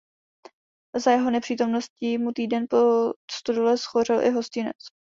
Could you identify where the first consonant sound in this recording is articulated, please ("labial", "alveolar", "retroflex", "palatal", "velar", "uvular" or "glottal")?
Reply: alveolar